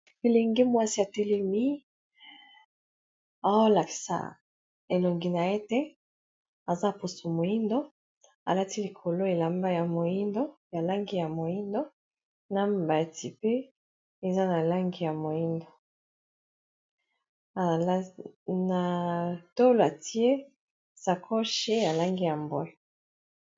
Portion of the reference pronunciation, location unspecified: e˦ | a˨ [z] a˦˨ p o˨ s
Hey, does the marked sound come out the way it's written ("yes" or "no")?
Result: yes